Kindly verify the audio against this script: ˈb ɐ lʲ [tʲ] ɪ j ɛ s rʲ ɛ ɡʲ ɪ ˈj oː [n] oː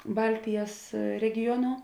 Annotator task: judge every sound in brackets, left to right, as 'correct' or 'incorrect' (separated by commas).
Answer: correct, correct